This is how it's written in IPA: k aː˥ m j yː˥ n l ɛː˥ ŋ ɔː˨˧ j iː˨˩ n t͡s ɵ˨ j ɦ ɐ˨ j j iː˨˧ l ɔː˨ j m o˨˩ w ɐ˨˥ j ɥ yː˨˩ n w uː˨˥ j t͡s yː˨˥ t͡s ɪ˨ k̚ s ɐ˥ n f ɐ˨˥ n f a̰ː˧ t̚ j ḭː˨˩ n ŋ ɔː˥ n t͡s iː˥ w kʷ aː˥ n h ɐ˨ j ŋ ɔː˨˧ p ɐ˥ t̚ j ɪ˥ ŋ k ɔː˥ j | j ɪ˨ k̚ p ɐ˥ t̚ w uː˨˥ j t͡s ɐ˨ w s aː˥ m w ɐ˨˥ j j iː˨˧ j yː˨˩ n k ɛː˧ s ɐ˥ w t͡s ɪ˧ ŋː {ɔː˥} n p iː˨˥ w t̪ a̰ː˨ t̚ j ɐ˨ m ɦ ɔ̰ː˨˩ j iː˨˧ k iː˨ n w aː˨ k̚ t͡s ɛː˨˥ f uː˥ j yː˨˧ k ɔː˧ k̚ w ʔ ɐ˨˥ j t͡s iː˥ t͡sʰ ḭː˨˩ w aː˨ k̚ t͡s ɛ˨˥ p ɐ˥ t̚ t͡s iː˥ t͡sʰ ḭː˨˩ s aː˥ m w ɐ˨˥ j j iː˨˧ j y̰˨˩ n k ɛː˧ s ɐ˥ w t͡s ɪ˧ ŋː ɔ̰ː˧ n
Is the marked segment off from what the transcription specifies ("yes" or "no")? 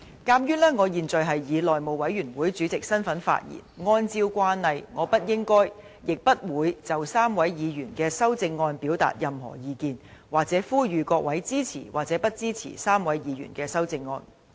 yes